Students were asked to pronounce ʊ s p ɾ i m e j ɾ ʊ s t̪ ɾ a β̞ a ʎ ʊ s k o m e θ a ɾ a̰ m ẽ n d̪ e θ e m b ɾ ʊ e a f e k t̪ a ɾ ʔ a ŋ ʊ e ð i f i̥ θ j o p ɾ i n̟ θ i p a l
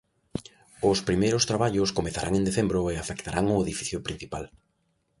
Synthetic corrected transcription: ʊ s p ɾ i m e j ɾ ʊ s t̪ ɾ a β̞ a ʎ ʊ s k o m e θ a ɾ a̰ ŋ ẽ n d̪ e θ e m b ɾ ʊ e a f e k t̪ a ɾ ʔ a ŋ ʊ e ð i f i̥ θ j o p ɾ i n̟ θ i p a l